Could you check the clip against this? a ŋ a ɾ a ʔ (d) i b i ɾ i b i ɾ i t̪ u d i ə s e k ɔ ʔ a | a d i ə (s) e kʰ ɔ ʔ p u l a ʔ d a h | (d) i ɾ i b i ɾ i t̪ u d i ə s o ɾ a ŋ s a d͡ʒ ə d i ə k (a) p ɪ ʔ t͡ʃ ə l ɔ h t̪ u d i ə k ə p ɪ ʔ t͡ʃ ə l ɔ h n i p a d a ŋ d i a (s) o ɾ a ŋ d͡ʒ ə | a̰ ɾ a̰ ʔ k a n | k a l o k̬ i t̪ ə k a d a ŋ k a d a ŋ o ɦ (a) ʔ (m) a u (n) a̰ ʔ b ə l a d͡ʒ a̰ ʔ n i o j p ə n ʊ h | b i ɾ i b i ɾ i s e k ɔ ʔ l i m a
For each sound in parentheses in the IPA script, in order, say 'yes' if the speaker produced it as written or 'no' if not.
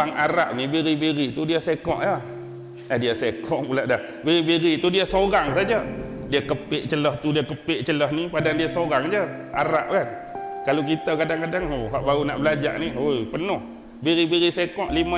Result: no, yes, no, no, yes, yes, no, yes

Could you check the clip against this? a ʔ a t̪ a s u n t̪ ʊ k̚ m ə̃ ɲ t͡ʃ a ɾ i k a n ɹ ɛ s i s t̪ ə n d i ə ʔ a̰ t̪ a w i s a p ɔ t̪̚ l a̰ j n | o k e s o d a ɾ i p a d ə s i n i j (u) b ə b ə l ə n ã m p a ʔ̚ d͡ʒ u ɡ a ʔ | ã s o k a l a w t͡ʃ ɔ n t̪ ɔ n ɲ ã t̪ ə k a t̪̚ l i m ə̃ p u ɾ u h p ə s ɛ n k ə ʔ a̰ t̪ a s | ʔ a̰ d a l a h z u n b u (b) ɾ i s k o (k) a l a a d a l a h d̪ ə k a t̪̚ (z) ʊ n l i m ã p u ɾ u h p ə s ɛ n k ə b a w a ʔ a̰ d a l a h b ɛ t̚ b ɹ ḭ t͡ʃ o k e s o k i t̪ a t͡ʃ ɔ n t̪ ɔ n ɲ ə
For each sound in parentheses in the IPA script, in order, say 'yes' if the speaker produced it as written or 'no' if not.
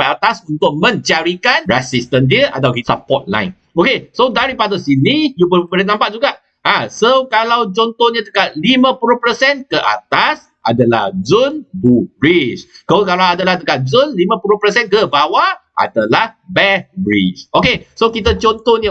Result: yes, yes, yes, yes

